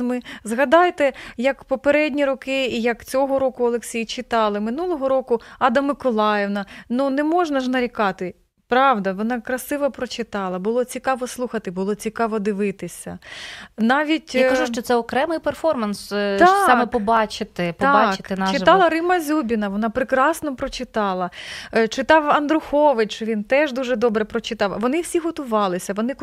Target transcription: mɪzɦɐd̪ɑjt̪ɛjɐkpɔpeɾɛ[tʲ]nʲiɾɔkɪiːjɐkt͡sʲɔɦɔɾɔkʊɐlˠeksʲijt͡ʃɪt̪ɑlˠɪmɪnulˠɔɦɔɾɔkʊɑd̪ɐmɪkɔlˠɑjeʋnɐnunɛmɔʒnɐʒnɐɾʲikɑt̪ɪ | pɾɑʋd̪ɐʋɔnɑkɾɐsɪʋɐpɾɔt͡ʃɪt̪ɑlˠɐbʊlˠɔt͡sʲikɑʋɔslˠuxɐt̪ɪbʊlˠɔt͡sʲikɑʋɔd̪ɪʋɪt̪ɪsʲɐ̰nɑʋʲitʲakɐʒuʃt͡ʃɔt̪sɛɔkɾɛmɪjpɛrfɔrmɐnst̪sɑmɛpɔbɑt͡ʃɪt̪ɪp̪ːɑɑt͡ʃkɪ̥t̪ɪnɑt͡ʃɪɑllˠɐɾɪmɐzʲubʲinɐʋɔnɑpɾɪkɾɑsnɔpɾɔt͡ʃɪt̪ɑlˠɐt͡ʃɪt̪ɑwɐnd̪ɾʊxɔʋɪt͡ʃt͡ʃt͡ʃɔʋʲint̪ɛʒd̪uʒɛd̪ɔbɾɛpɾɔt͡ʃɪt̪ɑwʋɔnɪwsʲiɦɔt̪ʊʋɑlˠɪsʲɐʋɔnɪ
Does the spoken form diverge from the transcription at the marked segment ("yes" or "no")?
yes